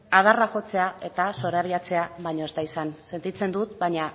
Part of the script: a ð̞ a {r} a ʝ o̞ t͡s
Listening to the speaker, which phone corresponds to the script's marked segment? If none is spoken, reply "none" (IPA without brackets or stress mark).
r